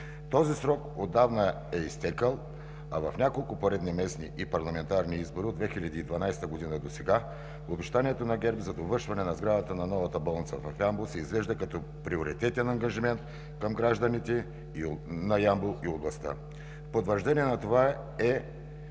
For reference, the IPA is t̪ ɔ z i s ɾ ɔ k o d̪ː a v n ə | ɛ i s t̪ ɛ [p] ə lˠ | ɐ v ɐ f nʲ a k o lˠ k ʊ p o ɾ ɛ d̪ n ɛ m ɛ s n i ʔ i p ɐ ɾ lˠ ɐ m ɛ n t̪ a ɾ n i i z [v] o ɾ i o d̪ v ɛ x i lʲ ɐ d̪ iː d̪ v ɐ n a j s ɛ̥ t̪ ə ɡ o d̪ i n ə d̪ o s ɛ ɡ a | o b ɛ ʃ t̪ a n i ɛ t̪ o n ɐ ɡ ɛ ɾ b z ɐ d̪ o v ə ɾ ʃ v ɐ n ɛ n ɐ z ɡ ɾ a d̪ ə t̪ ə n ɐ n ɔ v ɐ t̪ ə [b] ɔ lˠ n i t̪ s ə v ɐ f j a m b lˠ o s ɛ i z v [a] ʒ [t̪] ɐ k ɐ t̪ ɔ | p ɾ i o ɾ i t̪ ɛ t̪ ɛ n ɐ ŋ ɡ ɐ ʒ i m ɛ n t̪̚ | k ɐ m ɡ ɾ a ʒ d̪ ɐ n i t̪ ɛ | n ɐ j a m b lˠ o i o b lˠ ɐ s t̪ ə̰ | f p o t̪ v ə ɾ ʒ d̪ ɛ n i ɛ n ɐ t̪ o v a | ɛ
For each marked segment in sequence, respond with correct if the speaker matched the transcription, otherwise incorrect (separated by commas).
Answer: incorrect, incorrect, correct, incorrect, incorrect